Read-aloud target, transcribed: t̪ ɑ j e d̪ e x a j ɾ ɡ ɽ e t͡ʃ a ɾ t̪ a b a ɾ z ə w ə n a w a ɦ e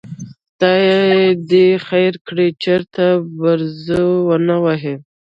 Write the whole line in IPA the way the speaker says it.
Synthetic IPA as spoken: t̪ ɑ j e d̪ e x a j ɾ k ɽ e t͡ʃ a ɾ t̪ a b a ɾ z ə w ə n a w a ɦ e